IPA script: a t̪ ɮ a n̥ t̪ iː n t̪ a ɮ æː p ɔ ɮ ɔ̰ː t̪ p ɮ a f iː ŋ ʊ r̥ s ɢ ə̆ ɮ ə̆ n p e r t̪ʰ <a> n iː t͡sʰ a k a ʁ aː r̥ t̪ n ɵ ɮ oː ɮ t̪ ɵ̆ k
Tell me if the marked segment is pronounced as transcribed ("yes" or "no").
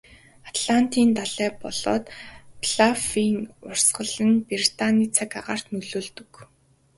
yes